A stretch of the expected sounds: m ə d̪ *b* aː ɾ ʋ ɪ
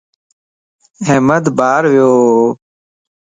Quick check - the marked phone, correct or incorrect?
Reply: correct